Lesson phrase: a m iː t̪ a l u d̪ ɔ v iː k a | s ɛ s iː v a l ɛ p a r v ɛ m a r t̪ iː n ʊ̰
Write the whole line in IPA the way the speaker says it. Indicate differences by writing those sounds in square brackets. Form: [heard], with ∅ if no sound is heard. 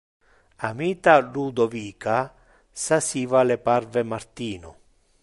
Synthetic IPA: a m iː t̪ a l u d̪ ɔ v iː k a | s [a] s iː v a l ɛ p a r v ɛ m a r t̪ iː n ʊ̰